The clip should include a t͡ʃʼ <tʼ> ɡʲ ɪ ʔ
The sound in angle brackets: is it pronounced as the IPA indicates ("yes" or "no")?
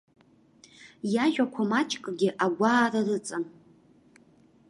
no